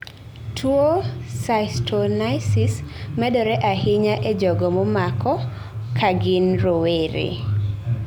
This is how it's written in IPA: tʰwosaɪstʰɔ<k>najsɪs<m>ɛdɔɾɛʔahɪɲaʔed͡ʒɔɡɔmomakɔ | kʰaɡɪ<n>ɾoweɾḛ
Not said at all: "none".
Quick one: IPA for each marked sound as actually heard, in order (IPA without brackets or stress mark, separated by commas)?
none, m, n